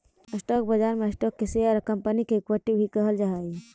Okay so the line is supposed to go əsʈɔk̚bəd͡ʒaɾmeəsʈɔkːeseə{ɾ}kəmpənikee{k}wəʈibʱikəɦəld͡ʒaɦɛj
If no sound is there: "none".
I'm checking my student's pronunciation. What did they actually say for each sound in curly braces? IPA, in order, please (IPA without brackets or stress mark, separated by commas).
ɾ, k